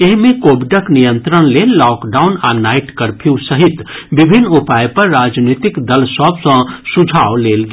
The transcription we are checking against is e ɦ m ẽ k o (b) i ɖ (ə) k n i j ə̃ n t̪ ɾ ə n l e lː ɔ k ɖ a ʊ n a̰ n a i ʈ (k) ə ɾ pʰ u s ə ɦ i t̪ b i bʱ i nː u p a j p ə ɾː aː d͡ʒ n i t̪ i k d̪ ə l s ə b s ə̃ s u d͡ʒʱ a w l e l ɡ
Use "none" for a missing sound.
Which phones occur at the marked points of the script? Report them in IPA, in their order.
b, ə, k

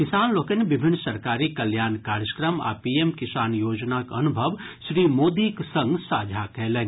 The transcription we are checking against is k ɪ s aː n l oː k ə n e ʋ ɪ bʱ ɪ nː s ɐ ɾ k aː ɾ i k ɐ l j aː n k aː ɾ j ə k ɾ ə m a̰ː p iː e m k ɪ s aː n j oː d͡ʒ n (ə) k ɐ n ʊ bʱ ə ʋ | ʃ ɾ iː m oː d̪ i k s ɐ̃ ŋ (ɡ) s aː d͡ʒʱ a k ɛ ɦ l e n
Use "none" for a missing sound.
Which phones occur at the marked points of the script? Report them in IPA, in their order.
a, ɡ

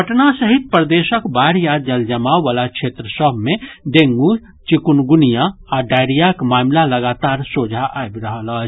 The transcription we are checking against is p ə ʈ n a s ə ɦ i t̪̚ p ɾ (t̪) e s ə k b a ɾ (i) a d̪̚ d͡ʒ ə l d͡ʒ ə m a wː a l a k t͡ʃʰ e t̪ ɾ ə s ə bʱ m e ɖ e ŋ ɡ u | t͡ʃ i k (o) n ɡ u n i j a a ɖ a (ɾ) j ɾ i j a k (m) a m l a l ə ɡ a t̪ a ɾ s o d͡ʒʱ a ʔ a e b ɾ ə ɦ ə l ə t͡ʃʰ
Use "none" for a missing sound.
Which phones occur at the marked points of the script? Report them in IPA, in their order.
d̪, j, u, none, m

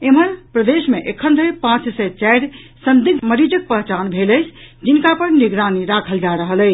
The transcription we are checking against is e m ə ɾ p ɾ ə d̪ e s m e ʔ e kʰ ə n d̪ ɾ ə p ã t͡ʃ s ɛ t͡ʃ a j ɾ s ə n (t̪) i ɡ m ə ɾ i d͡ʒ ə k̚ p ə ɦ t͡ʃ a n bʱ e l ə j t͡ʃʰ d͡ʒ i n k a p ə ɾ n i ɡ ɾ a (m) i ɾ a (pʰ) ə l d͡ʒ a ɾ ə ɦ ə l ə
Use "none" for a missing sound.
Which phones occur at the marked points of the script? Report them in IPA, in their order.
d̪, n, kʰ

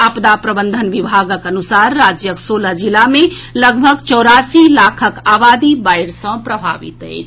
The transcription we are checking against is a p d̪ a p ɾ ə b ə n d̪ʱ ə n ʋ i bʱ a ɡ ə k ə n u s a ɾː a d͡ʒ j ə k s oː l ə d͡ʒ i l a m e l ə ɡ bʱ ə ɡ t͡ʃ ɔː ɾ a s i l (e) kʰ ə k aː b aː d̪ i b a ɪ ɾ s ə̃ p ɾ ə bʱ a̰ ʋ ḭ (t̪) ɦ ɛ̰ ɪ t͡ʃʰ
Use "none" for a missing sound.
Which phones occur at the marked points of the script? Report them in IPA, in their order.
a, t̪

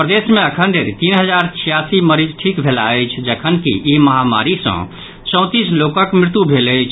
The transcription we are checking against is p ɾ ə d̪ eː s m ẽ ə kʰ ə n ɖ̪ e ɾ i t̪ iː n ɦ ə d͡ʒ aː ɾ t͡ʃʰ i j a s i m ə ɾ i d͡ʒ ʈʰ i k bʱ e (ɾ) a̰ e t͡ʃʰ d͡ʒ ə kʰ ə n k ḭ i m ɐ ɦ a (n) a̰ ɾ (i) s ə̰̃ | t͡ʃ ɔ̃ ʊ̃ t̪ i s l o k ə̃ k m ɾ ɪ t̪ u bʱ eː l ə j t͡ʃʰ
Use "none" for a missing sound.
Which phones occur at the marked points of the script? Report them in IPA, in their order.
l, m, i

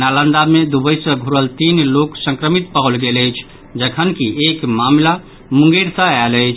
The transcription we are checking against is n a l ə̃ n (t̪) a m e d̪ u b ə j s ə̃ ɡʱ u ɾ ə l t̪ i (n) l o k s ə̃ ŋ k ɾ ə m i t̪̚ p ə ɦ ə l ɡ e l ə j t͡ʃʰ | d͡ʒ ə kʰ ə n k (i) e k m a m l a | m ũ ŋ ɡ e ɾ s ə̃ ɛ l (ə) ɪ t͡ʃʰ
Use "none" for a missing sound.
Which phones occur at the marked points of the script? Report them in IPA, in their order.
d̪, n, i, ə

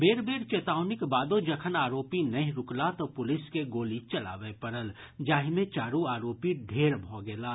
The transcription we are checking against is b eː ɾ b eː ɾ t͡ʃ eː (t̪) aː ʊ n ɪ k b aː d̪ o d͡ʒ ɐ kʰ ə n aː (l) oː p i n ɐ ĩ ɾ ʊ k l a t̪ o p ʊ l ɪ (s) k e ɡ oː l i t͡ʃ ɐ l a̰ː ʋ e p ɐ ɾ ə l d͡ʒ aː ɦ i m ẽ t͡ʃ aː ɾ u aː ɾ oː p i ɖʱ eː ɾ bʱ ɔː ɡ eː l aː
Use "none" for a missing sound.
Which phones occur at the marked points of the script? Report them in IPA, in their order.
t̪, ɾ, s

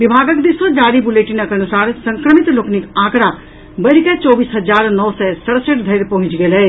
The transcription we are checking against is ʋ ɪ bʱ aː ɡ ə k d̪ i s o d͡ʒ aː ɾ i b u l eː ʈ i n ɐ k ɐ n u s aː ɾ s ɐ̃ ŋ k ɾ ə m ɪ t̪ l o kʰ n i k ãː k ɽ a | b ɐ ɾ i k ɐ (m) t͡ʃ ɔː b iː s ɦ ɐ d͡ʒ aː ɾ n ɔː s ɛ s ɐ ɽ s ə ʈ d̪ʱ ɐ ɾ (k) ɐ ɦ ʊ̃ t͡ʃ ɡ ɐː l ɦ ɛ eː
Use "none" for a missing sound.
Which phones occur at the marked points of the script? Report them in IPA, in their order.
none, p

